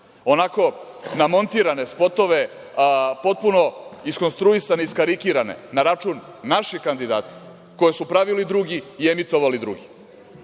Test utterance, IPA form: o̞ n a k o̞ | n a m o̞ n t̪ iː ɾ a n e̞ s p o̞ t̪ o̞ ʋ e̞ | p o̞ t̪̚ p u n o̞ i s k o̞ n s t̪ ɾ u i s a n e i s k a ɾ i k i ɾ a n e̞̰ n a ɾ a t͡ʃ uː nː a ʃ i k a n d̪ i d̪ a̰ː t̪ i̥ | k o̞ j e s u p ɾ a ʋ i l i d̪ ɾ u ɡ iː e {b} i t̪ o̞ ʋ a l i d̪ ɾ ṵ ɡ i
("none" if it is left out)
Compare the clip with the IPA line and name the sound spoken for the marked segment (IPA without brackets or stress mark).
m